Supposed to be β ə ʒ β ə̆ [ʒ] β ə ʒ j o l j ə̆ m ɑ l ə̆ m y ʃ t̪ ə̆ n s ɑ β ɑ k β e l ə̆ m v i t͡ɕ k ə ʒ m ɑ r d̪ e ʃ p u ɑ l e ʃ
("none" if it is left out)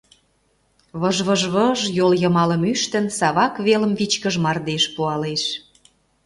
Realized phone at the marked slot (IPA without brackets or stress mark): ʒ